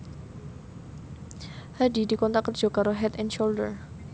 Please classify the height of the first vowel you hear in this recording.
low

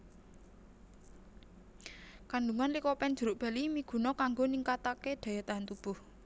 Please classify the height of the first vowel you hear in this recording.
low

